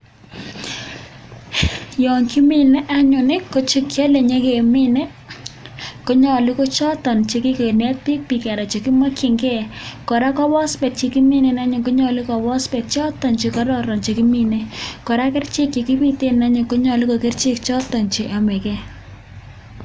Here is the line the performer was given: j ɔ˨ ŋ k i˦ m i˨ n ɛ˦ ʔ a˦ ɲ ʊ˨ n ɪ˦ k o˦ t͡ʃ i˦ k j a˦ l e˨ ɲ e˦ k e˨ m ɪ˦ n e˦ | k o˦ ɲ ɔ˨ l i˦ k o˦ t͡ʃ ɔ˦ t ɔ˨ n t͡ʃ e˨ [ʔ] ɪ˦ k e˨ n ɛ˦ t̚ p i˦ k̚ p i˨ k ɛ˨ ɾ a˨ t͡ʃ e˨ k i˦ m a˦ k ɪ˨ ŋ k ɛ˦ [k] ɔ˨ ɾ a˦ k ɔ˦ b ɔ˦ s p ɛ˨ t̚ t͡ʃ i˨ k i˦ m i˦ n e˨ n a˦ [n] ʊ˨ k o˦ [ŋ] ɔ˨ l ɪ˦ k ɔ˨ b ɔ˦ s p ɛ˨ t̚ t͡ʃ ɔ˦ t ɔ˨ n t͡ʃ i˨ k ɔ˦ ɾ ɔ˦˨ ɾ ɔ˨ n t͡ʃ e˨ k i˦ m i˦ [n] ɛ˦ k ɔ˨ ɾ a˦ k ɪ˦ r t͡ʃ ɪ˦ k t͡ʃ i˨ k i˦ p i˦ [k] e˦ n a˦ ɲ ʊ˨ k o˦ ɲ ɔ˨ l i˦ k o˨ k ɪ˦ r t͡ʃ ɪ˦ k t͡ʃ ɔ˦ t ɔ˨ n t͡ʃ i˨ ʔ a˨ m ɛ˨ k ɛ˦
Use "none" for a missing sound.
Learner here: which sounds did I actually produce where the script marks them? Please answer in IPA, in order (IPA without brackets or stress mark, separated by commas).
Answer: k, k, ɲ, ɲ, n, t